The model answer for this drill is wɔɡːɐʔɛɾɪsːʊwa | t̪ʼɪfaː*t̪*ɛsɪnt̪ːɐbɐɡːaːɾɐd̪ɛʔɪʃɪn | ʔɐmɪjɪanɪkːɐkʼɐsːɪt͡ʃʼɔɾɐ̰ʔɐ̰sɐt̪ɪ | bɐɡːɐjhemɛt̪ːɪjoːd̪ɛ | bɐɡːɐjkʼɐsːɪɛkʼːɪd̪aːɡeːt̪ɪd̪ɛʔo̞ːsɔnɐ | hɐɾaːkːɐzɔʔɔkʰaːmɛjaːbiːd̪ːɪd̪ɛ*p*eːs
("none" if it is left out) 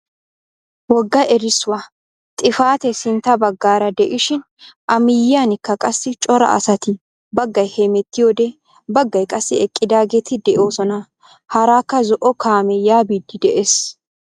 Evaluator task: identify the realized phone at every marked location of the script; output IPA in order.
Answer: t̪, ʔ

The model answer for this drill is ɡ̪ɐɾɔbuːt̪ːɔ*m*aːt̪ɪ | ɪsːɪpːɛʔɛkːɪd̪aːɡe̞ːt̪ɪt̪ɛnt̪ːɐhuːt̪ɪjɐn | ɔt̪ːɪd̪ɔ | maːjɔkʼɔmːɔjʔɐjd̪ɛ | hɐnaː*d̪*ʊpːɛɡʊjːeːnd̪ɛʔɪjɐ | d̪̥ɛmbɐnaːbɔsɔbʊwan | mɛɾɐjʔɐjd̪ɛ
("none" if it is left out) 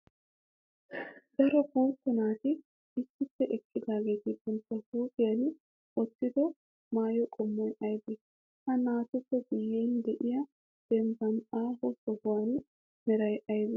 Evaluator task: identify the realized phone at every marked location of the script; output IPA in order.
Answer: n, t̪

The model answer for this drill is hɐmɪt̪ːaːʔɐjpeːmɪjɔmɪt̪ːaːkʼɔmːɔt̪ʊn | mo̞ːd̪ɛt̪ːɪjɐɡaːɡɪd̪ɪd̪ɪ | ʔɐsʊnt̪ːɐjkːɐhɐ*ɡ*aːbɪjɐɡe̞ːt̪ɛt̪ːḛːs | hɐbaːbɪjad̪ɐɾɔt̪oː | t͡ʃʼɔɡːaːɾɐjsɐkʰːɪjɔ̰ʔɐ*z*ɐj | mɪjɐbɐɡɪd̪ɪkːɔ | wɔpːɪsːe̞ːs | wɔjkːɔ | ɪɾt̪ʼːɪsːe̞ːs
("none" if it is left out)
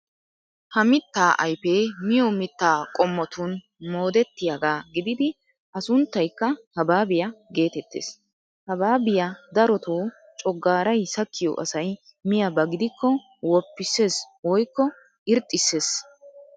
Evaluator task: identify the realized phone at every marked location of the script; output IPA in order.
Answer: b, s

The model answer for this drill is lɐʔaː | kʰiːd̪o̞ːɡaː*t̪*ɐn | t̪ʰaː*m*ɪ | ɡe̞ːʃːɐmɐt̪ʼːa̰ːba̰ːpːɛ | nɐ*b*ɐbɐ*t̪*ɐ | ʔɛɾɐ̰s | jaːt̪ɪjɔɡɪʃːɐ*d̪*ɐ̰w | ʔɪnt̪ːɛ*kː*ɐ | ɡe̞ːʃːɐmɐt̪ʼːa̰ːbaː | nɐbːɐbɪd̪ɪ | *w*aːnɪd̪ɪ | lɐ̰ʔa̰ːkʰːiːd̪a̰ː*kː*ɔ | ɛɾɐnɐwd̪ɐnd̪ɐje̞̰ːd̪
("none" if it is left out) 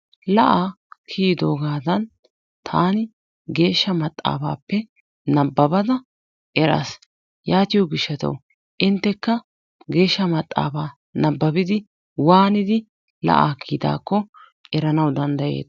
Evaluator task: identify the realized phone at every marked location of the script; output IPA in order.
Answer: d̪, n, bː, d̪, t̪, kː, w, kː

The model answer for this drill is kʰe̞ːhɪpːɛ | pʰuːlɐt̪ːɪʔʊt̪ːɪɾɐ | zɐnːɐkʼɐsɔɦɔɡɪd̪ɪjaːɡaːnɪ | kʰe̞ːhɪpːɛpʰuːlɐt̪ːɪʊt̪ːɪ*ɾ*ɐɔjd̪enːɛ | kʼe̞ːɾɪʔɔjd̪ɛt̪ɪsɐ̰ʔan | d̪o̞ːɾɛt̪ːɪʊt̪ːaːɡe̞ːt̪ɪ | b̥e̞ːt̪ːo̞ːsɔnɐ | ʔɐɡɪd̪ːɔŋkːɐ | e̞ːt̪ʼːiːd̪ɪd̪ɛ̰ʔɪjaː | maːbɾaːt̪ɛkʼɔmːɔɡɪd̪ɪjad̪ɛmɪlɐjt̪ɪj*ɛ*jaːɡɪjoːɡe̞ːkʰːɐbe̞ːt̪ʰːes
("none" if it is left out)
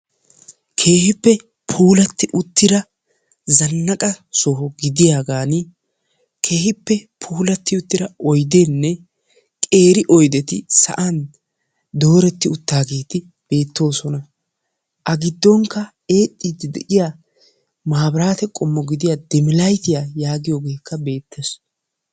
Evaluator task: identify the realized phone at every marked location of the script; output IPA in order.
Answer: ɾ, a

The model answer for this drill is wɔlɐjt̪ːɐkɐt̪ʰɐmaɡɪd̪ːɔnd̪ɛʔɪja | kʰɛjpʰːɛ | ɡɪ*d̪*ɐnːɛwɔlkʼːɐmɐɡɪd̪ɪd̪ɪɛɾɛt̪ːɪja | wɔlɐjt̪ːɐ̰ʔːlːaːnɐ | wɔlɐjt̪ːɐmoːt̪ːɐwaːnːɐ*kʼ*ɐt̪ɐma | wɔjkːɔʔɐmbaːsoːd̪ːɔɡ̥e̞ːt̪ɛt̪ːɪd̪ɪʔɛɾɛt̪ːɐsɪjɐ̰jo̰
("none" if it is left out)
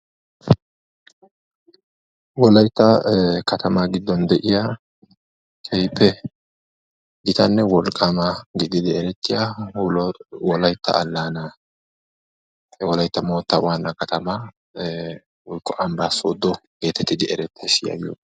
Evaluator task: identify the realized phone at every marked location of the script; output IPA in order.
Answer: t̪, k

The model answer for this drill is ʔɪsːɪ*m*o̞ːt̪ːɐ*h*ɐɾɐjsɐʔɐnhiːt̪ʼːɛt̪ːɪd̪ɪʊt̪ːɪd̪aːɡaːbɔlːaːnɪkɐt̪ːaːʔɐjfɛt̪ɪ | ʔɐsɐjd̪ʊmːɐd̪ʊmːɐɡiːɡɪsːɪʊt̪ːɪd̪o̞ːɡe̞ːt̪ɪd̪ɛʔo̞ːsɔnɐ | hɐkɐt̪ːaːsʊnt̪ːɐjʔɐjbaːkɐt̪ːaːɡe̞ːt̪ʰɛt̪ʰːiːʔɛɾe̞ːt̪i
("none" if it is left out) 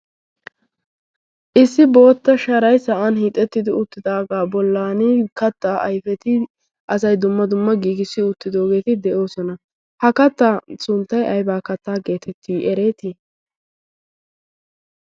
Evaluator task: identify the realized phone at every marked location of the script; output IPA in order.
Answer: b, ʃ

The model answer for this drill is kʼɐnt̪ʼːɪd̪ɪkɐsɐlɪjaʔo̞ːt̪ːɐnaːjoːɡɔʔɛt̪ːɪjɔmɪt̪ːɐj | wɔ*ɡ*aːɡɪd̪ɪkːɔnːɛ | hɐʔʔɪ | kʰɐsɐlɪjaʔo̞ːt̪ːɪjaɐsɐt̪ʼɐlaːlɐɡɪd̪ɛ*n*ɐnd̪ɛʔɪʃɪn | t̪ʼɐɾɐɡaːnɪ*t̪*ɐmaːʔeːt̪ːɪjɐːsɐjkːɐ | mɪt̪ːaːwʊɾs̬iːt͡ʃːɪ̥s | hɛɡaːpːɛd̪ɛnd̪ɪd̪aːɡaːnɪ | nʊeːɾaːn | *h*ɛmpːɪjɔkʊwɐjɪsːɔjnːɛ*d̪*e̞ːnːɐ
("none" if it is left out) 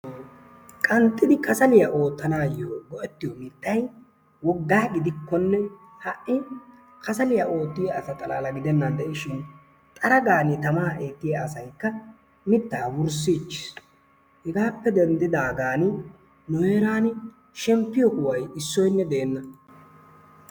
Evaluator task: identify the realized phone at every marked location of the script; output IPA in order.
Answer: ɡː, nː, t̪, ʃ, d̪

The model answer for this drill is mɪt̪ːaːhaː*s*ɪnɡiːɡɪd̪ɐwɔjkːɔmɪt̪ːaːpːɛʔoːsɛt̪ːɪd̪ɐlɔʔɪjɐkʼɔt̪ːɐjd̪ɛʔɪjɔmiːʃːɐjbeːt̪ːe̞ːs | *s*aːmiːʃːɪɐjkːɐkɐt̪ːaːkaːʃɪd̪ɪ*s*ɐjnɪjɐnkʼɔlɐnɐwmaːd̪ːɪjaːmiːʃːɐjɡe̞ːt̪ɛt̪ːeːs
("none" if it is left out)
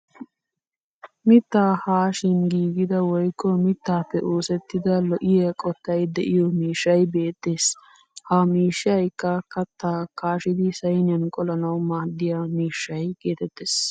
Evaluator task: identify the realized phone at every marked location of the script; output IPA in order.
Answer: ʃ, h, s

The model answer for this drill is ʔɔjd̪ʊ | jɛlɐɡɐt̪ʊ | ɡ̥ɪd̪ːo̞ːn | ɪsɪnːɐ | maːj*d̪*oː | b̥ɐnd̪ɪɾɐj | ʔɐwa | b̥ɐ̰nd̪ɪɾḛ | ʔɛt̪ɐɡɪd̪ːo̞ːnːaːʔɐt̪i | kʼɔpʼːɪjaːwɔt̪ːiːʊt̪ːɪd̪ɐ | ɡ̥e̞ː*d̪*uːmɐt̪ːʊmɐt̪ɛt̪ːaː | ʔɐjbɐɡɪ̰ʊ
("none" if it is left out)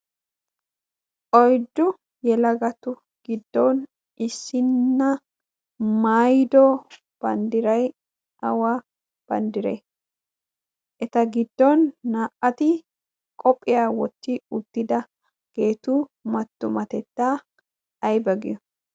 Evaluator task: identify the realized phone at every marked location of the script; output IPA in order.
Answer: d̪, t̪

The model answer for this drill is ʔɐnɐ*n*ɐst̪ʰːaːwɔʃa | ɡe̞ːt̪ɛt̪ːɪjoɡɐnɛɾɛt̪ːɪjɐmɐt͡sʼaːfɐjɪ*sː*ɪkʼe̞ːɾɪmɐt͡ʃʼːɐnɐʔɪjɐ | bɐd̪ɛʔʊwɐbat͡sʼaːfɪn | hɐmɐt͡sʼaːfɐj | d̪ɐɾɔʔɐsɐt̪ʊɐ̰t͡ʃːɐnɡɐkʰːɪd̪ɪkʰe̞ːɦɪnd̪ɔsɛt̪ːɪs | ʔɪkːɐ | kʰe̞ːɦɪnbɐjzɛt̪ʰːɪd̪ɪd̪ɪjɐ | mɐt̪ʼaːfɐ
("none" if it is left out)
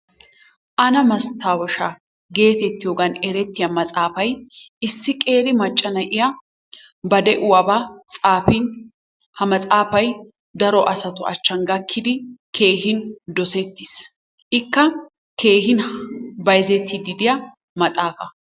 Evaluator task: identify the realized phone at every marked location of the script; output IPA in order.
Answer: m, sː

